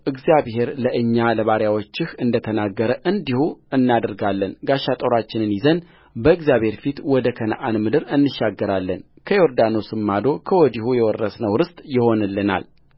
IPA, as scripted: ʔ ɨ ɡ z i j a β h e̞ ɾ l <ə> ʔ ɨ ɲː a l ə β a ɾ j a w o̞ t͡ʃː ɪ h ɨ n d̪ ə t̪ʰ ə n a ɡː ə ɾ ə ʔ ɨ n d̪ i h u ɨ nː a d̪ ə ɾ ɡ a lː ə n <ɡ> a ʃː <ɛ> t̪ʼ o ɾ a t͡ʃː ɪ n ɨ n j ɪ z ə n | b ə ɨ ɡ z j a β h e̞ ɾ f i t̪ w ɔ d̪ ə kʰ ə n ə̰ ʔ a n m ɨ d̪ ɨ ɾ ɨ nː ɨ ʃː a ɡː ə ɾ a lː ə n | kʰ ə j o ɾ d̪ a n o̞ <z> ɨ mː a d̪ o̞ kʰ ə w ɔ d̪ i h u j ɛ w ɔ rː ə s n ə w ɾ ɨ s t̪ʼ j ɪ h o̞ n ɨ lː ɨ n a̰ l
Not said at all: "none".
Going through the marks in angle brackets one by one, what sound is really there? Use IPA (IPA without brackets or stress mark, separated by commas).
ə, ɡ, a, s